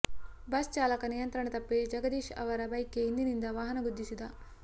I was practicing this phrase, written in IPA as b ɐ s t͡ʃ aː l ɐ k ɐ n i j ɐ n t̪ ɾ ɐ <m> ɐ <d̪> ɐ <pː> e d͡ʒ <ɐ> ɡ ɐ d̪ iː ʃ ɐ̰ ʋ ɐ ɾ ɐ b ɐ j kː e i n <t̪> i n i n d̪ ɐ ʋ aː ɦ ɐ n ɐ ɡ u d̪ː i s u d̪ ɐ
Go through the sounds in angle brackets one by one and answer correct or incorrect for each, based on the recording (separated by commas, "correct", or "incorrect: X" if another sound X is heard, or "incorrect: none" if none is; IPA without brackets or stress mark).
incorrect: ɳ, incorrect: t̪, correct, correct, incorrect: d̪